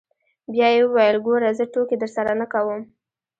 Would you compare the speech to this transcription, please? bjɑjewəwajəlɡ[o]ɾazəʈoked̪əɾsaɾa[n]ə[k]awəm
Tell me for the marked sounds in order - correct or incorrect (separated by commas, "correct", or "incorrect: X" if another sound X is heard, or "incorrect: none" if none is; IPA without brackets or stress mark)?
correct, correct, correct